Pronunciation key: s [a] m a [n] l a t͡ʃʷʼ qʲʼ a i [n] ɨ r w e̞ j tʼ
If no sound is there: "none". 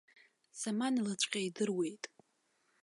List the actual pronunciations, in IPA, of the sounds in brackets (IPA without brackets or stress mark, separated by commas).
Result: a, n, d